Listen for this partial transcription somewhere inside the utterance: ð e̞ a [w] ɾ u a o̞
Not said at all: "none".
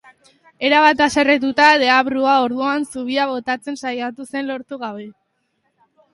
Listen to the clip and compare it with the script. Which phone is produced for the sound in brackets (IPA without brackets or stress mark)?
β